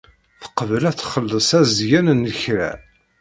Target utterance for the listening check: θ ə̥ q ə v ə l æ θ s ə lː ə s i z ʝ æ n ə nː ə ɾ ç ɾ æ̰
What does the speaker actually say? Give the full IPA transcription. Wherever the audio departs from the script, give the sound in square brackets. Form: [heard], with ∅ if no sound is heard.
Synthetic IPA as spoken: θ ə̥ q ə v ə l æ θ [χ] ə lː ə s [æ] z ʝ æ n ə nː ə [∅] ç ɾ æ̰